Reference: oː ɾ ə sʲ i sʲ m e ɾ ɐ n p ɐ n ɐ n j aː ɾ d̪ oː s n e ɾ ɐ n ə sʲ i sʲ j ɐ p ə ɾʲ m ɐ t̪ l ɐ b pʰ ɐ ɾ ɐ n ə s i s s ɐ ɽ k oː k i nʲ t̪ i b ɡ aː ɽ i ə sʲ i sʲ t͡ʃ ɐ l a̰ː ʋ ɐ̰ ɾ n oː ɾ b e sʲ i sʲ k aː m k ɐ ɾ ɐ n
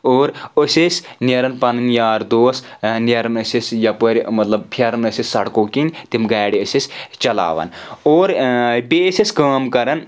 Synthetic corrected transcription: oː ɾ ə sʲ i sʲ n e ɾ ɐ n p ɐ n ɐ n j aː ɾ d̪ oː s n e ɾ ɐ n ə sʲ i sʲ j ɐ p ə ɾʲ m ɐ t̪ l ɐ b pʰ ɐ ɾ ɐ n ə s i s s ɐ ɽ k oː k i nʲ t̪ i m ɡ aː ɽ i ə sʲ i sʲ t͡ʃ ɐ l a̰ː ʋ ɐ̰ n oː ɾ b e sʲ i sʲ k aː m k ɐ ɾ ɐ n